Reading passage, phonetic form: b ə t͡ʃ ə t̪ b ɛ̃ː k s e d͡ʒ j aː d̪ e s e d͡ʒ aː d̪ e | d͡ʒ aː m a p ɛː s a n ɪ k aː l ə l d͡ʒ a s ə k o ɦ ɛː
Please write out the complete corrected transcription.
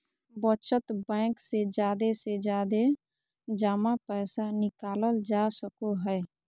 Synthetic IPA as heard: b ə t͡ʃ ə t̪ b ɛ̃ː k s e d͡ʒ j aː d̪ e s e d͡ʒ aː d̪ e | d͡ʒ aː m a p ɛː s a n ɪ k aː l ə l d͡ʒ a s ə k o ɦ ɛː